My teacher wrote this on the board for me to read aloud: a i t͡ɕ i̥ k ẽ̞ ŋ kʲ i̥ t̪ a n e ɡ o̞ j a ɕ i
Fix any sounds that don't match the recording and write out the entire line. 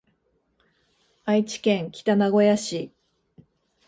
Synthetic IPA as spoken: a i t͡ɕ i̥ k ẽ̞ ŋ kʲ i̥ t̪ a n a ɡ o̞ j a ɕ i